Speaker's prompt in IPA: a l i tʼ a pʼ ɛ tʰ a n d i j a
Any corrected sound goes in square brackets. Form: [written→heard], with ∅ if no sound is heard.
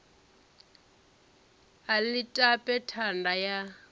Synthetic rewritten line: a l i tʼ a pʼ ɛ tʰ a n d [i→a] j a